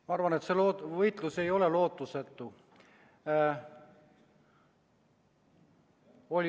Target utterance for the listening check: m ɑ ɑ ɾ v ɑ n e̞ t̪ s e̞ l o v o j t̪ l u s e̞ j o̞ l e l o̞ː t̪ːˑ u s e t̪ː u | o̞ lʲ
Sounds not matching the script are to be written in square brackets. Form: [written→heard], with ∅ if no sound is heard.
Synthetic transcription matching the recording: m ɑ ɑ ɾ v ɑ n e̞ t̪ s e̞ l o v [o→ɤ] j t̪ l u s e̞ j o̞ l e l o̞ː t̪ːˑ u s e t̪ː u | o̞ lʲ

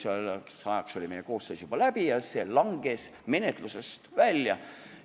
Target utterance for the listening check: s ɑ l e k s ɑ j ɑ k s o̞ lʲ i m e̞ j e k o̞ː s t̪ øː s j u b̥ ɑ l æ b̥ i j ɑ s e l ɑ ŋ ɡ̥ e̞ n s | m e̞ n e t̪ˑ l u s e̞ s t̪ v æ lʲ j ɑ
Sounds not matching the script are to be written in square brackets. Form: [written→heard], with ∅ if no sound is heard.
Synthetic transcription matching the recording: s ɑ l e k s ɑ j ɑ k s o̞ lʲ i m e̞ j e k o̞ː s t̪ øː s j u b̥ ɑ l æ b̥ i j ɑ s e l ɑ ŋ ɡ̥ e̞ [n→∅] s | m e̞ n e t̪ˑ l u s e̞ s t̪ v æ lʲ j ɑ

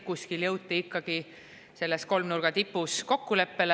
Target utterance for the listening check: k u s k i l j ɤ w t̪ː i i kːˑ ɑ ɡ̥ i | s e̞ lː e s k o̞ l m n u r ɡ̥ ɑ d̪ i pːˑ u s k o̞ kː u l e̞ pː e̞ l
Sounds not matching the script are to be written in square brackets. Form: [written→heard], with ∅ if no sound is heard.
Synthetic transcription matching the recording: k u s k i l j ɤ w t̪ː i i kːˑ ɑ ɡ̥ i | s e̞ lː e s k o̞ l m n u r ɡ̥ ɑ [d̪→t̪] i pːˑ u s k o̞ kː u l e̞ pː e̞ l

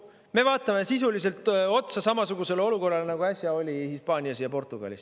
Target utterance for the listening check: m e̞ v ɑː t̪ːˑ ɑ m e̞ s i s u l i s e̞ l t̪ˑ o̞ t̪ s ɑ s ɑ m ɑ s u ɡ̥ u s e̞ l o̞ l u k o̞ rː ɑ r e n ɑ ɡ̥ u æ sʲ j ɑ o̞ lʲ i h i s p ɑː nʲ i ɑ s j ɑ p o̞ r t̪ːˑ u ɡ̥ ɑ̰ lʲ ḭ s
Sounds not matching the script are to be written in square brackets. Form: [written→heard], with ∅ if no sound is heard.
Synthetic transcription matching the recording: m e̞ v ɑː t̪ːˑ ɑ m e̞ s i s u l i s e̞ l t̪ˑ o̞ t̪ s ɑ s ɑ m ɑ s u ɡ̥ u s e̞ l o̞ l u k o̞ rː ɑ [r→l] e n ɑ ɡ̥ u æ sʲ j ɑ o̞ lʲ i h i s p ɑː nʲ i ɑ s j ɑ p o̞ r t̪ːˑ u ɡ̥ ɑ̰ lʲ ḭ s

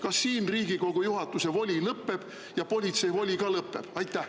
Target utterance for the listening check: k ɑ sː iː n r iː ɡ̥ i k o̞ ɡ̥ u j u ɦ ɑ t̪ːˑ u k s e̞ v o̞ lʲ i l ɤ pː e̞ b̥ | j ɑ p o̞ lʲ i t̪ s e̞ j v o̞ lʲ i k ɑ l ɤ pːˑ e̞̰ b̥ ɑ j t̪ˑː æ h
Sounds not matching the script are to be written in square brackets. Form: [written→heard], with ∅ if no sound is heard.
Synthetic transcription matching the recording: k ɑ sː iː n r iː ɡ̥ i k o̞ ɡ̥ u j u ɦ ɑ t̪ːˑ u [k→∅] s e̞ v o̞ lʲ i l ɤ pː e̞ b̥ | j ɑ p o̞ lʲ i t̪ s e̞ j v o̞ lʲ i k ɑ l ɤ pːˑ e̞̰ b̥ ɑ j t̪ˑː æ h

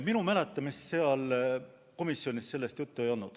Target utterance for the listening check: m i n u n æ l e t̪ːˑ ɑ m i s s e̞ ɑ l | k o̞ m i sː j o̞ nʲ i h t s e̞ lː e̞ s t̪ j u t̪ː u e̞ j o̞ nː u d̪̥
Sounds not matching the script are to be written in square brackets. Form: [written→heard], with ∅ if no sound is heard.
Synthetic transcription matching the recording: m i n u [n→m] æ l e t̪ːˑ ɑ m i s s e̞ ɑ l | k o̞ m i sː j o̞ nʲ i [h→s] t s e̞ lː e̞ s t̪ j u t̪ː u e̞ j o̞ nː u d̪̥

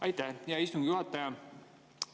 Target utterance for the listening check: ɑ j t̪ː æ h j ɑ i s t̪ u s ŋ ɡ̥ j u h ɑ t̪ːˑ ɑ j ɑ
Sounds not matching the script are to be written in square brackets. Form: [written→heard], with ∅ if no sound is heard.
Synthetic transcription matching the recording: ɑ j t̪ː æ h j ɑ i s t̪ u [s→∅] ŋ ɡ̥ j u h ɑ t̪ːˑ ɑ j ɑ

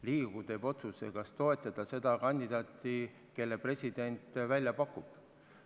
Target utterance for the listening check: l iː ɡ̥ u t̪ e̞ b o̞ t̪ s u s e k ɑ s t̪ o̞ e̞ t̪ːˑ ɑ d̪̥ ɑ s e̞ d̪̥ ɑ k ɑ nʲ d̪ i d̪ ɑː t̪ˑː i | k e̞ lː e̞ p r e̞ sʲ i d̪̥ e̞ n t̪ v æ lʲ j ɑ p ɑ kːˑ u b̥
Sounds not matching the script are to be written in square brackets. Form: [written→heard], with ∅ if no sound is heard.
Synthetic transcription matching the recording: l iː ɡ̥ u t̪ e̞ b o̞ t̪ s u s e k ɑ s t̪ o̞ e̞ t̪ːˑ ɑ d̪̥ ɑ s e̞ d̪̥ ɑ k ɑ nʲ d̪ i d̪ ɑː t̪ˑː i | k e̞ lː e̞ p r e̞ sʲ i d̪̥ e̞ n t̪ v æ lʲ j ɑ p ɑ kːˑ u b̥

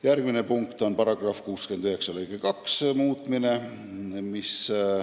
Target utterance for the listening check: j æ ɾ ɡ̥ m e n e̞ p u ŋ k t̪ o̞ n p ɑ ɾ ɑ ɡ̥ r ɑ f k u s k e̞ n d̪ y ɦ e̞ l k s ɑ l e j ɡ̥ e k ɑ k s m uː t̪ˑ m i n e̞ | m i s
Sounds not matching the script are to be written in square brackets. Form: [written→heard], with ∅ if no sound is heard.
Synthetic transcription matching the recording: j æ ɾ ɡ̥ m [e→i] n e̞ p u ŋ k t̪ o̞ n p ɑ ɾ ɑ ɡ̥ r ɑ f k [u→uː] s k e̞ n d̪ y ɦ e̞ [l→∅] k s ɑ l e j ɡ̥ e k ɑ k s m uː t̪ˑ m i n e̞ | m i s

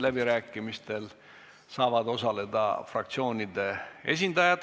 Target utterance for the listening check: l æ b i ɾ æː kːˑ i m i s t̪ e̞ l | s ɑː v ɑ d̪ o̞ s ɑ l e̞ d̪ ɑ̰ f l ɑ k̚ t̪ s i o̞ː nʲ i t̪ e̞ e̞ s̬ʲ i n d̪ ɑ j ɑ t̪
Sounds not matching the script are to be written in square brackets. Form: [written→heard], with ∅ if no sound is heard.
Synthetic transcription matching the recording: l æ b i ɾ æː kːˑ i m i s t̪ e̞ l | s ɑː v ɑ d̪ o̞ s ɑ l e̞ d̪ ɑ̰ f [l→r] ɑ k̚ t̪ s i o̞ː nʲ i [t̪→d̪] e̞ e̞ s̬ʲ i n d̪ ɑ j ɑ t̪

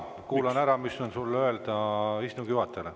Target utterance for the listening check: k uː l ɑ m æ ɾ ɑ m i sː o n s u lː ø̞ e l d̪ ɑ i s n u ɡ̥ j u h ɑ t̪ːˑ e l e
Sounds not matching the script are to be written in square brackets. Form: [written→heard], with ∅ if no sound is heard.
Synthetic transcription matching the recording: k uː l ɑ [m→n] æ ɾ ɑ m i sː o n s u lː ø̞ e l d̪ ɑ i s n u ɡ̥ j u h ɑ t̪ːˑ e l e

